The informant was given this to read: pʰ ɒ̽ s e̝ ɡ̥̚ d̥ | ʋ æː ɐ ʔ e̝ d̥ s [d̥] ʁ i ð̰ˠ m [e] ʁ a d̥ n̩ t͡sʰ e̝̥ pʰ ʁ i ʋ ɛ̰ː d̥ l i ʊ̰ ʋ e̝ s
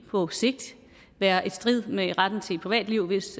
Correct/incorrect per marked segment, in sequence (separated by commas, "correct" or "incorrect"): correct, correct